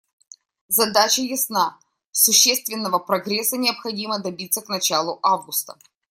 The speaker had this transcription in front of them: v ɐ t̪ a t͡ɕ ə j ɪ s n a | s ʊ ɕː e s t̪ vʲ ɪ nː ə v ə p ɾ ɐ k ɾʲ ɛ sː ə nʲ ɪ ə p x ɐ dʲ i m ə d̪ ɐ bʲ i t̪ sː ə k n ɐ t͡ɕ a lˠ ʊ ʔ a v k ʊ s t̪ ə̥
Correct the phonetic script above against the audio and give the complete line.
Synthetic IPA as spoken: z ɐ d̪ a t͡ɕ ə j ɪ s n a | s ʊ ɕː e s t̪ vʲ ɪ nː ə v ə p ɾ ɐ ɡ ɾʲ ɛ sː ə nʲ ɪ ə p x ɐ dʲ i m ə d̪ ɐ bʲ i t̪ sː ə k n ɐ t͡ɕ a lˠ ʊ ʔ a v ɡ ʊ s t̪ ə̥